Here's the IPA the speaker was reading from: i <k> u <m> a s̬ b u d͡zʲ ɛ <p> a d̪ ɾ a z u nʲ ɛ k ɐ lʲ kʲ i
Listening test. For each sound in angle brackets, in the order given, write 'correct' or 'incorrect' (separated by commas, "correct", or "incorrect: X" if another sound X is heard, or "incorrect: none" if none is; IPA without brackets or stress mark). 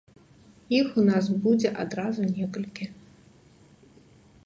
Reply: incorrect: x, incorrect: n, incorrect: ʔ